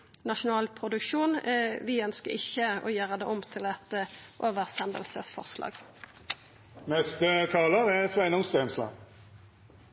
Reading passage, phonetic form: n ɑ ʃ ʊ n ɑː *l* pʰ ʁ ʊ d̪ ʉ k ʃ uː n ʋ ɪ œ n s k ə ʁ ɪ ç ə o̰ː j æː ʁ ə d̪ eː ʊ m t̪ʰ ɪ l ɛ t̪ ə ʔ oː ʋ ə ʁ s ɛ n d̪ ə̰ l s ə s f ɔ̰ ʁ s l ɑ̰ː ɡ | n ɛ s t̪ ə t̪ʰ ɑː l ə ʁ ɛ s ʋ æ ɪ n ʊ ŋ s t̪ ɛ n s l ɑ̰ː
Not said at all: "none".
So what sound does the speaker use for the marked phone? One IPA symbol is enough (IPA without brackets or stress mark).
l